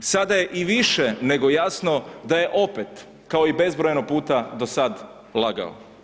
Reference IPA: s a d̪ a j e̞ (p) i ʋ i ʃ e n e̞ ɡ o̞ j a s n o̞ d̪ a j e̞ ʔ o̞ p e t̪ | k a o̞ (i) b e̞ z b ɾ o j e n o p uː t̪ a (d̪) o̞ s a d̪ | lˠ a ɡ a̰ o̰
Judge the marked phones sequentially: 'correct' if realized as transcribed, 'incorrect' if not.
incorrect: ʔ, correct, correct

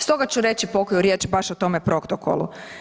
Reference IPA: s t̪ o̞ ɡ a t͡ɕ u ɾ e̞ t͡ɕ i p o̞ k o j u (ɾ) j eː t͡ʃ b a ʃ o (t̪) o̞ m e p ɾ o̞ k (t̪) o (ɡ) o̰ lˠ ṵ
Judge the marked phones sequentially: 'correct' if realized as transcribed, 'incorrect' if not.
correct, correct, correct, incorrect: k

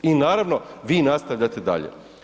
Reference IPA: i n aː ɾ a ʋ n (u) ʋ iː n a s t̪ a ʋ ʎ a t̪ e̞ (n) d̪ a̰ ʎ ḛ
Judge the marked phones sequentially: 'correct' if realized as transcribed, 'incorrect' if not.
incorrect: o, incorrect: none

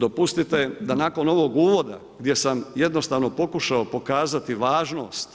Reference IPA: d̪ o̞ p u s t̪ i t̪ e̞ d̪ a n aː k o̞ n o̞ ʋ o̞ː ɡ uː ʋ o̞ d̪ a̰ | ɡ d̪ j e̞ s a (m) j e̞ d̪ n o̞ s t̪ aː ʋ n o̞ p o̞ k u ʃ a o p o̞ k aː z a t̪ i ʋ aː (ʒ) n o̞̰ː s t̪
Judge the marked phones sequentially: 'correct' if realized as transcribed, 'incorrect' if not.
correct, correct

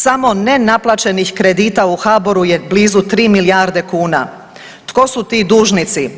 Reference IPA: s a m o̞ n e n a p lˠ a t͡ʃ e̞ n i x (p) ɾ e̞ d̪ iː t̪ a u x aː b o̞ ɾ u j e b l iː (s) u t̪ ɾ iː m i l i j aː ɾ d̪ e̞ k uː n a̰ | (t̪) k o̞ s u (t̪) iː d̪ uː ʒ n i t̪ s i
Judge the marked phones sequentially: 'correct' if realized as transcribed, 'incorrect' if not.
incorrect: k, incorrect: z, correct, correct

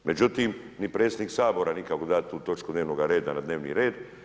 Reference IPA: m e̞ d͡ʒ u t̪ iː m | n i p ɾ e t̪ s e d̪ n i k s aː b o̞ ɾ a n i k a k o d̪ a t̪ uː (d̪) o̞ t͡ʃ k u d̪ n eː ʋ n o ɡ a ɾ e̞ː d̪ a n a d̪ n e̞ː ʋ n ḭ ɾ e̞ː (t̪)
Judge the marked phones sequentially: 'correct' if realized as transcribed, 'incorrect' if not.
incorrect: t̪, incorrect: d̪

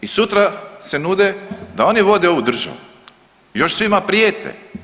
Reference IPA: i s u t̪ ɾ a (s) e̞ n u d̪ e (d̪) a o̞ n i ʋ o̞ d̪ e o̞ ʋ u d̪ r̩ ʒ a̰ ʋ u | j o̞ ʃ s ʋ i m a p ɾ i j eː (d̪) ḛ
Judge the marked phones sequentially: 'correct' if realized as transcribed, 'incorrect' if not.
correct, correct, incorrect: t̪

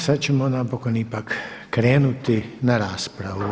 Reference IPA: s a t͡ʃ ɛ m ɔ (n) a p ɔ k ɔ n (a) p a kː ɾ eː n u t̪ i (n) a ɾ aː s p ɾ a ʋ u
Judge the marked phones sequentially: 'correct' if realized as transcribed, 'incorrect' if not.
correct, incorrect: i, correct

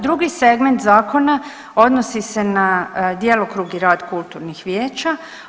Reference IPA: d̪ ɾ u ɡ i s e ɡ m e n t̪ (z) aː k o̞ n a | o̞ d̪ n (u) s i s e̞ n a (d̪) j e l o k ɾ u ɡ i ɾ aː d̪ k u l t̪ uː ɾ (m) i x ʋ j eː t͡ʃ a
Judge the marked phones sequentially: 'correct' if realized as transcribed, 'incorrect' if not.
correct, incorrect: o, correct, incorrect: n

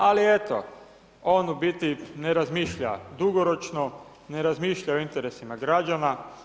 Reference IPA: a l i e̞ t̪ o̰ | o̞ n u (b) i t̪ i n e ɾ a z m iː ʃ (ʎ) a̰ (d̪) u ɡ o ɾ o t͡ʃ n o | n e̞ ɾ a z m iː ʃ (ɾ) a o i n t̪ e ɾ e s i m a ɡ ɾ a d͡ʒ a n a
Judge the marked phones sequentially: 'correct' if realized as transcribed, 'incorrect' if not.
correct, correct, correct, incorrect: ʎ

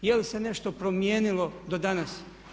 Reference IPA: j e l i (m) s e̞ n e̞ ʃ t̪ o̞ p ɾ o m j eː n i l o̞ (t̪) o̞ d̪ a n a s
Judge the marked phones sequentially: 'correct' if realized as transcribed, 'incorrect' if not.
incorrect: none, incorrect: d̪

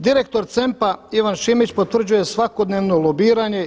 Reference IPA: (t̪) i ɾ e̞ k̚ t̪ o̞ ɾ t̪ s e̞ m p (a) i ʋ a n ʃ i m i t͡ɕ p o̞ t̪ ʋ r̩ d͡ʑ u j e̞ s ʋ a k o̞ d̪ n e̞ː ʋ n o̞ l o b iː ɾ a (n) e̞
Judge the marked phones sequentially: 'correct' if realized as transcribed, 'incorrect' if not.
incorrect: d̪, correct, incorrect: ɲ

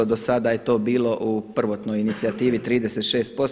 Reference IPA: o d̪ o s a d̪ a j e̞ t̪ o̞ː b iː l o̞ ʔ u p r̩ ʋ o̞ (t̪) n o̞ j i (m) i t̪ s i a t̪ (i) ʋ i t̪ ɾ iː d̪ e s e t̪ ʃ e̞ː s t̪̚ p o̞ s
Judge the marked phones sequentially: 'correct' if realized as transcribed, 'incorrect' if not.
correct, incorrect: n, incorrect: iː

